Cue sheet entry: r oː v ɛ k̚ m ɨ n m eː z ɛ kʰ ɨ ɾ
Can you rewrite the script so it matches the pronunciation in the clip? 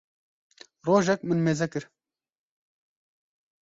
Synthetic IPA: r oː ʒ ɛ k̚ m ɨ n m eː z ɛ k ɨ ɾ